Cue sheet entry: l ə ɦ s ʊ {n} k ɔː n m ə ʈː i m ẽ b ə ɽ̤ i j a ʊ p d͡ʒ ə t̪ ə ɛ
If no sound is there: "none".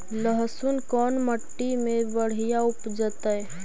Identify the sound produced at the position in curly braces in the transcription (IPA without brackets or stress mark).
n